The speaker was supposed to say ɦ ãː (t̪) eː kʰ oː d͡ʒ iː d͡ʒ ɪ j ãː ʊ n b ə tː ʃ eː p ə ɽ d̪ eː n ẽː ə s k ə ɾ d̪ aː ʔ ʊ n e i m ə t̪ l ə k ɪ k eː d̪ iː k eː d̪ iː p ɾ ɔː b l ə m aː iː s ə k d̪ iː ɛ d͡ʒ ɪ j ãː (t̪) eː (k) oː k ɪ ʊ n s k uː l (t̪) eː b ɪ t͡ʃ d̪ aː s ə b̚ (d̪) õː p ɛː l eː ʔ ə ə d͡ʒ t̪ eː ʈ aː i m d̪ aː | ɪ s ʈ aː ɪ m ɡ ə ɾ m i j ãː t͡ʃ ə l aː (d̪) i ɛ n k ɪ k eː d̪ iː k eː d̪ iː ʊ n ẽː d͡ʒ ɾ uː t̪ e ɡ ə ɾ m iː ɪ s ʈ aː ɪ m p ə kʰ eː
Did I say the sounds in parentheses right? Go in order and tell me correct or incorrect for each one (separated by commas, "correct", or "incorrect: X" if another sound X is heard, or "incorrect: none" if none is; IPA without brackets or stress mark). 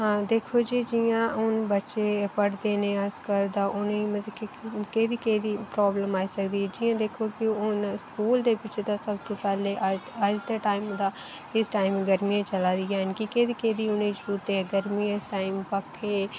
incorrect: d̪, incorrect: d̪, incorrect: kʰ, incorrect: d̪, incorrect: t̪, correct